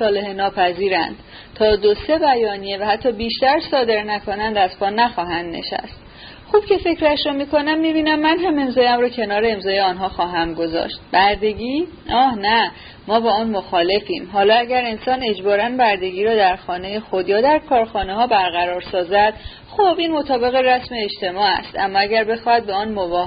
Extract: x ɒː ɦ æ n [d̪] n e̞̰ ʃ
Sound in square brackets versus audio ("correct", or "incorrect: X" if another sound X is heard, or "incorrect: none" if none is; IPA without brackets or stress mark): correct